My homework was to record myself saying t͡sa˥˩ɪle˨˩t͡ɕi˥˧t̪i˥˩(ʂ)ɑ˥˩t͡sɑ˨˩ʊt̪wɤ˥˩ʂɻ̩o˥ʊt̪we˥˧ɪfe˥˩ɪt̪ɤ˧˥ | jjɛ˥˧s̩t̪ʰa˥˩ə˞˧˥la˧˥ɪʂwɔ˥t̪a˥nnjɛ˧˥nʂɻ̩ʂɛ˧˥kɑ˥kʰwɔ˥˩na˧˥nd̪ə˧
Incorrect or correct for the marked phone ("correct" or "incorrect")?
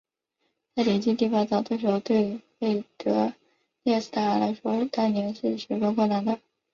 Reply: incorrect